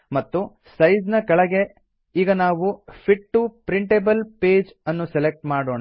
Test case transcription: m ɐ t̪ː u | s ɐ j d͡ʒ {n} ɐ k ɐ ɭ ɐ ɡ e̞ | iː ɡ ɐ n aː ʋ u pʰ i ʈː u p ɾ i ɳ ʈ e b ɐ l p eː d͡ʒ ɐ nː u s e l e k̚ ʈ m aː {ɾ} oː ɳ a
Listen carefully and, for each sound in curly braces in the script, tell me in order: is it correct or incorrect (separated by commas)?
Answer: correct, incorrect